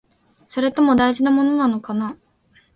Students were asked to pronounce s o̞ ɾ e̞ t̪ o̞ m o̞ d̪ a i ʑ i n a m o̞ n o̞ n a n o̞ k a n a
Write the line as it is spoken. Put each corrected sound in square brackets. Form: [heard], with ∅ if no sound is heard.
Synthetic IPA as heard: s o̞ ɾ e̞ t̪ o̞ m o̞ d̪ a i ʑ i n a m o̞ n o̞ n a n o̞ k a n a